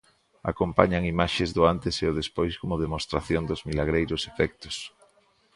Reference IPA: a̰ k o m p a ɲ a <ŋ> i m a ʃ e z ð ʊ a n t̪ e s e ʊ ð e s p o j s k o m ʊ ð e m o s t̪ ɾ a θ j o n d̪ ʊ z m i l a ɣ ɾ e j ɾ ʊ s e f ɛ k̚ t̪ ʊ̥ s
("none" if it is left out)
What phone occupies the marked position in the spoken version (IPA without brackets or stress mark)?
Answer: ŋ